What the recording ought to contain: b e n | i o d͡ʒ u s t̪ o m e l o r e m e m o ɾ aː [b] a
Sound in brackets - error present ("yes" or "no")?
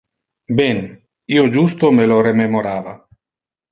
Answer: yes